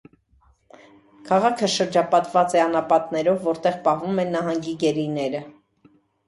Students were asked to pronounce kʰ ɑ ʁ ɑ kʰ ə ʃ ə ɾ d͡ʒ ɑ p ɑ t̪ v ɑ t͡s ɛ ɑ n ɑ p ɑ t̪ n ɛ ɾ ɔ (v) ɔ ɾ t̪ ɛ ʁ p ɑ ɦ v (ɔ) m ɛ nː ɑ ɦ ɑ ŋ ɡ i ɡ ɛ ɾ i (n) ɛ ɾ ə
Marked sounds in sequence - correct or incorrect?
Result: incorrect: vː, incorrect: u, correct

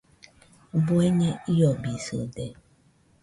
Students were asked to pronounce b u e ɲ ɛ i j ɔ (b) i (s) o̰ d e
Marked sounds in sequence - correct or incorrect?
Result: correct, correct

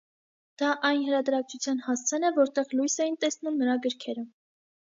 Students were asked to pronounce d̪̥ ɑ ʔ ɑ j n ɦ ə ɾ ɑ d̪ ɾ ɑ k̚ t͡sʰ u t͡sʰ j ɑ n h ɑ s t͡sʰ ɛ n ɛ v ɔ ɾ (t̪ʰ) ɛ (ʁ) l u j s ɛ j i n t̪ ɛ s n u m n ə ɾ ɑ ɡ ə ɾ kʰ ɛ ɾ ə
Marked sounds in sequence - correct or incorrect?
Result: incorrect: t̪, correct

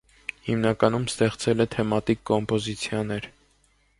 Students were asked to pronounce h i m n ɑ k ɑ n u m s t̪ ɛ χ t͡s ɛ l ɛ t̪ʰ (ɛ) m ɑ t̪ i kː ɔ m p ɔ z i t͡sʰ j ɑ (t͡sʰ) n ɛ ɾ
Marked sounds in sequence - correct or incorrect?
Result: correct, incorrect: none

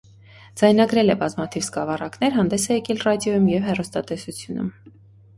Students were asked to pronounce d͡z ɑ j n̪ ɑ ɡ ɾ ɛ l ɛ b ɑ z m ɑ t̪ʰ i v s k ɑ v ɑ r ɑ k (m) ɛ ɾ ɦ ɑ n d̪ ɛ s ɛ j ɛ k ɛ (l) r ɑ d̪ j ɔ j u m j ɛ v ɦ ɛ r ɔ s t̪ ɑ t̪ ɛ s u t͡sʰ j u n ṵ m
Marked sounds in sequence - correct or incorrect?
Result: incorrect: n, correct

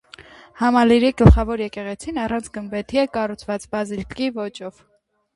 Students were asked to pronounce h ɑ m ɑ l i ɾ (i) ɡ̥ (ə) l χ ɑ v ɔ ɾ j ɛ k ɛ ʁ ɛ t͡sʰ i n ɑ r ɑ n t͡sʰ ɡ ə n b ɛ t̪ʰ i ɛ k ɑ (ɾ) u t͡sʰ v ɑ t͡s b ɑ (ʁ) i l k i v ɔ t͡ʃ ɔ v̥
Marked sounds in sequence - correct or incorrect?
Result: correct, correct, incorrect: r, incorrect: z

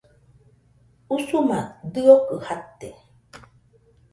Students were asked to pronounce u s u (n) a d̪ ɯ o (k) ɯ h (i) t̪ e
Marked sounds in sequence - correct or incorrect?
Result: incorrect: m, correct, incorrect: a

